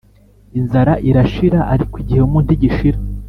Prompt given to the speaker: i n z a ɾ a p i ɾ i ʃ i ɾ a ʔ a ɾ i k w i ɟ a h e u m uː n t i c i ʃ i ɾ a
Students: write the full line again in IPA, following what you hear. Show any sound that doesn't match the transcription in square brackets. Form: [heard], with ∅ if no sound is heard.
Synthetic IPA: i n z a ɾ a [ʔ] i ɾ [a] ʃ i ɾ a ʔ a ɾ i k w i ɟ [i] h e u m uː n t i [ɟ] i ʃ i ɾ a